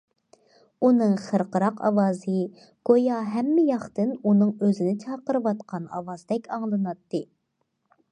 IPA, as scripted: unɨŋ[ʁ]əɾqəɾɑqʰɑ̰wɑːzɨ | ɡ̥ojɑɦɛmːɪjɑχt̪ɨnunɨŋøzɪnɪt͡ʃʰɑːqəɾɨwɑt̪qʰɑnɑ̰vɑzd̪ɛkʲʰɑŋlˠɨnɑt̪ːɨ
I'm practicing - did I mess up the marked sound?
yes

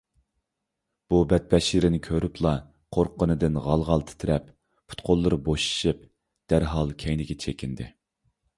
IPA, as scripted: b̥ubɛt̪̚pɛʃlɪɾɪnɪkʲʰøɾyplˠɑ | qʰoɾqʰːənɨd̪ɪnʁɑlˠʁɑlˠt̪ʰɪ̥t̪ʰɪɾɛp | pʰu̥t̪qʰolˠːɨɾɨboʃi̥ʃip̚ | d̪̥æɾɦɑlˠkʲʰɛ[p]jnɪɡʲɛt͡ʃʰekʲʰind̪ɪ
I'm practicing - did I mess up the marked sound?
yes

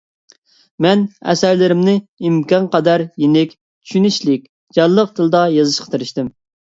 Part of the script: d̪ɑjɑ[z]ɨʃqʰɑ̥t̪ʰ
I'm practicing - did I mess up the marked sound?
no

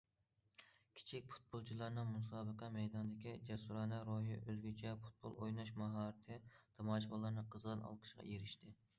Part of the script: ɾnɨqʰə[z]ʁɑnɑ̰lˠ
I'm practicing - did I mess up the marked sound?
no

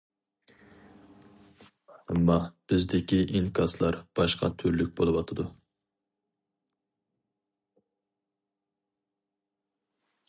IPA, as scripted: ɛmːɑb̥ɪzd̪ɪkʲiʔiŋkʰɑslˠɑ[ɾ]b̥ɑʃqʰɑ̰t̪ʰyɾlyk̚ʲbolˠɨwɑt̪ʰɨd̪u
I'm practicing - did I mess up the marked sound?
no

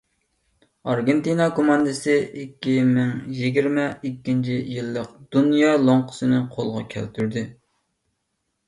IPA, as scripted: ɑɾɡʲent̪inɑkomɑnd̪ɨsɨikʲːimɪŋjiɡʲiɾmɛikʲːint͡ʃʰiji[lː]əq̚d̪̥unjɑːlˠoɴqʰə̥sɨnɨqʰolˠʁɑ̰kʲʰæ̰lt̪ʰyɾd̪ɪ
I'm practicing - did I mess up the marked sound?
no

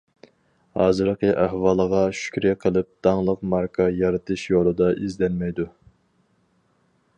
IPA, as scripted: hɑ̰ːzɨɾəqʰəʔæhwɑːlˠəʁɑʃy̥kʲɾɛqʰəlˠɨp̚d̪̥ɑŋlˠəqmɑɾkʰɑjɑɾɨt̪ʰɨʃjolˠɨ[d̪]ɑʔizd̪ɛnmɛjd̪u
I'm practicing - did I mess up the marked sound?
no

